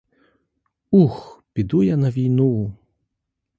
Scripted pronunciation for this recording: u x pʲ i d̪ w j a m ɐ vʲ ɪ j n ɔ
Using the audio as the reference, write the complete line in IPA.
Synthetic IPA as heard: u x pʲ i d̪ u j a n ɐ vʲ i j n u